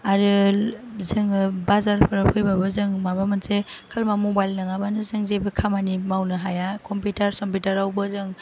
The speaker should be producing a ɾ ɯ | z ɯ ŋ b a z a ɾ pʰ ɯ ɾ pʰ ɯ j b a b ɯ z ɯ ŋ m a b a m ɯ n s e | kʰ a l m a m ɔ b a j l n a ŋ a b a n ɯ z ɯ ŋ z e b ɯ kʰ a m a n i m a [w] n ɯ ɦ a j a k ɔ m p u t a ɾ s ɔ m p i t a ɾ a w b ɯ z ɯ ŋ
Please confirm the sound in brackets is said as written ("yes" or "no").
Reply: yes